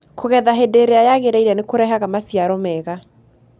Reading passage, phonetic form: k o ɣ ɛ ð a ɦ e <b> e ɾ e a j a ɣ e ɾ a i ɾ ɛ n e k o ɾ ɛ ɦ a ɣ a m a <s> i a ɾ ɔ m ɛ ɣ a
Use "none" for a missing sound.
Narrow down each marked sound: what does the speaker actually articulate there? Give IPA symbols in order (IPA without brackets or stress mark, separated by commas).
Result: d, s